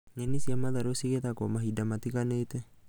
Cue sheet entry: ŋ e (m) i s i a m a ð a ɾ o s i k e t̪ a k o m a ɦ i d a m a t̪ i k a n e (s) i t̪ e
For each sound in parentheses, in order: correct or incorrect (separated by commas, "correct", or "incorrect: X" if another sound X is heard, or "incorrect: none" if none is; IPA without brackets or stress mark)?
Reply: incorrect: n, incorrect: none